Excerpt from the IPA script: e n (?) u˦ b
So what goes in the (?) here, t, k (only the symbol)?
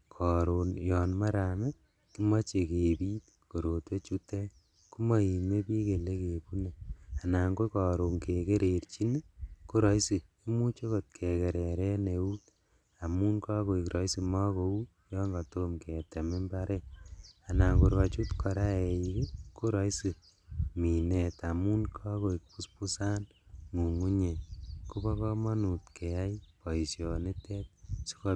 k